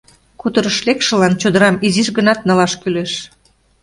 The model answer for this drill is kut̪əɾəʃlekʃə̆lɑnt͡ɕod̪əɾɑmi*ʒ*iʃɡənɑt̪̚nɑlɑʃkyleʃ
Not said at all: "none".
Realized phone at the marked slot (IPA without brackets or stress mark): z